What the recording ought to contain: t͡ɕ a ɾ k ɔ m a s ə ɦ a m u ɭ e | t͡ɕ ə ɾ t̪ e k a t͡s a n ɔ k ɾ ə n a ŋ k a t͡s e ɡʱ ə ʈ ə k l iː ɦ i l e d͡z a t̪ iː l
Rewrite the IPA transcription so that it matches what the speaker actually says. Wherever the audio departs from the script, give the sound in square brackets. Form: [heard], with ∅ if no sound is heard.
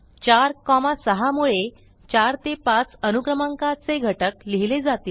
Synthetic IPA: t͡ɕ a ɾ k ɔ m a s ə ɦ a m u ɭ e | t͡ɕ [a] ɾ t̪ e [p] a t͡s [ə] n [u] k ɾ ə [m] a ŋ k a t͡s e ɡʱ ə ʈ ə k l [i] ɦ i l e d͡z a t̪ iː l